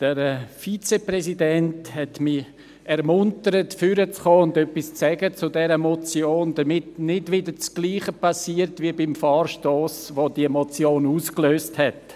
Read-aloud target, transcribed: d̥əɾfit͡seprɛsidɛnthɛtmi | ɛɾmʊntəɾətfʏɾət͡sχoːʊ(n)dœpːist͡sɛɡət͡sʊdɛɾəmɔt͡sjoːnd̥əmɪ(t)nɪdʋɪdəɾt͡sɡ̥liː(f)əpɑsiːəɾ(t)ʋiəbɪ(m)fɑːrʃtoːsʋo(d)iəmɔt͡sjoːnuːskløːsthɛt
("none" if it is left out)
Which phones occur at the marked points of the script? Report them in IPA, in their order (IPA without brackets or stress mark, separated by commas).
n, t, χ, t, m, d